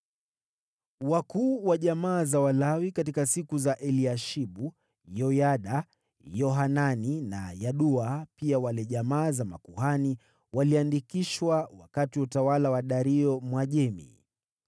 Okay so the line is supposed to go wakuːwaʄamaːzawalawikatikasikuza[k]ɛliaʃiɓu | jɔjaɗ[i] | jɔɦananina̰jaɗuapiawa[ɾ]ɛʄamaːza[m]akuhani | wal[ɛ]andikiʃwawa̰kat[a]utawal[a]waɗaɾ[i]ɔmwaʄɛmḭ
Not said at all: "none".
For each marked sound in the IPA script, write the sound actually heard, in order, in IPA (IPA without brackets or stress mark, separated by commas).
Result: ʔ, a, l, m, i, i, a, i